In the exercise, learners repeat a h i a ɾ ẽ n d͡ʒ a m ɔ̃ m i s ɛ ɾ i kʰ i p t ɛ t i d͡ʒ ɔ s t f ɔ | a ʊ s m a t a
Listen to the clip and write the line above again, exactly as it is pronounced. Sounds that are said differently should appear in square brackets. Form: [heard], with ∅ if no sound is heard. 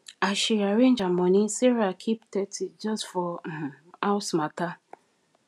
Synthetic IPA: a [ʃ] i a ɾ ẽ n d͡ʒ a m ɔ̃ [n] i s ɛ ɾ [a] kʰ i p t ɛ t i d͡ʒ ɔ s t f ɔ | a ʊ s m a t a

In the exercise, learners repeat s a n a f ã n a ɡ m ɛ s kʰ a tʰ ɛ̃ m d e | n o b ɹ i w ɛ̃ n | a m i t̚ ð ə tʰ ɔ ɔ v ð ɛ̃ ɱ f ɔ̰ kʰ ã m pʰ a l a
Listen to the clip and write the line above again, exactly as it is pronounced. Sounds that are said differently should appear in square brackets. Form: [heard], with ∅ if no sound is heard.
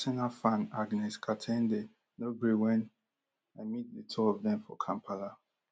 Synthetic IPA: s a n a f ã n a ɡ [n] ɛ s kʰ a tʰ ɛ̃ [n] d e | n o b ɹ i w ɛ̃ n | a m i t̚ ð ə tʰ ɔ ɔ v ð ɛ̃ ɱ f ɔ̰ kʰ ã m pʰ a l a

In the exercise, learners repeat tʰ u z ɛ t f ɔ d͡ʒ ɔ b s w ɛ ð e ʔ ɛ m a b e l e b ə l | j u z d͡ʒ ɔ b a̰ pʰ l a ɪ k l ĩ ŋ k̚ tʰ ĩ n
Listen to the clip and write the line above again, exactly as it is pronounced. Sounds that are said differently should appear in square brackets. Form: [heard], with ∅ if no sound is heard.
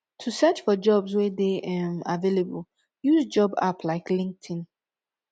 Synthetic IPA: tʰ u [s] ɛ [t͡ʃ] f ɔ d͡ʒ ɔ b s w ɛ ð e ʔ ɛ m a [v] e l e b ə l | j u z d͡ʒ ɔ b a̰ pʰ l a ɪ k l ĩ ŋ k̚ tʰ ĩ n

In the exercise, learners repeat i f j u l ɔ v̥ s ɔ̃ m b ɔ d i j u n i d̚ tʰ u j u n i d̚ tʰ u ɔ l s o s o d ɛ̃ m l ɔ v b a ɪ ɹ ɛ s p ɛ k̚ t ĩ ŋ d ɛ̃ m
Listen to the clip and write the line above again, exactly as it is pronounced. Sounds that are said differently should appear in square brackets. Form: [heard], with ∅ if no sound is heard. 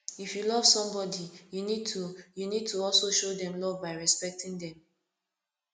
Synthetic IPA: i f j u l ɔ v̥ s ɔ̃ m b ɔ d i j u n i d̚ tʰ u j u n i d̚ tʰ u ɔ l s o [ʃ] o d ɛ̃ m l ɔ v b a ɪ ɹ ɛ s p ɛ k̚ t ĩ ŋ d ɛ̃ m

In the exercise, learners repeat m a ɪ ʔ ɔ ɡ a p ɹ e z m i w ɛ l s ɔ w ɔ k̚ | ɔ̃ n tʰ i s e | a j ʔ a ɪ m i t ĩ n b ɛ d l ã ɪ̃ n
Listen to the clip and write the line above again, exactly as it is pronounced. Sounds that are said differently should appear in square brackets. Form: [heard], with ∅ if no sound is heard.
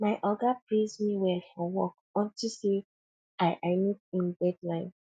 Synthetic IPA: m a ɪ ʔ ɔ ɡ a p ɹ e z m i w ɛ l [f] ɔ w ɔ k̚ | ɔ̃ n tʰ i s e | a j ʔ a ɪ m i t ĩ n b ɛ d l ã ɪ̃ n

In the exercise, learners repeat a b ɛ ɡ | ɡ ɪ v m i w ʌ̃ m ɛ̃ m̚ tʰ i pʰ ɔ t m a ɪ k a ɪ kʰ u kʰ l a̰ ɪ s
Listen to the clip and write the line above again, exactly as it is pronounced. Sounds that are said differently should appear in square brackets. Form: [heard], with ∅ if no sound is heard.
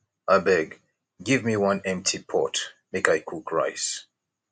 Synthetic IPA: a b ɛ ɡ | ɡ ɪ v m i w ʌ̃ [n] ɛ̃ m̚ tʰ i pʰ ɔ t m [e] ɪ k a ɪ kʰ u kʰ [ɹ] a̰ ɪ s

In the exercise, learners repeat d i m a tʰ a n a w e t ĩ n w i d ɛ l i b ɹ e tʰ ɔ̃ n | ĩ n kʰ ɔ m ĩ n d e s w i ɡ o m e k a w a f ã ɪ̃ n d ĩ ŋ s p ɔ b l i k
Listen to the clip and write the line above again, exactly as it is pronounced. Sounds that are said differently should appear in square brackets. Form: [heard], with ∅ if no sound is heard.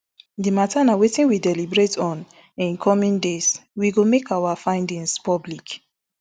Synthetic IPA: d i m a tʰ a n a w e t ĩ n w i d ɛ l i b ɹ e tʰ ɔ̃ n | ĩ n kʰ ɔ m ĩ n d e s w i ɡ o m e k a w a f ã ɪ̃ n d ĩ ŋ s p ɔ b l i k

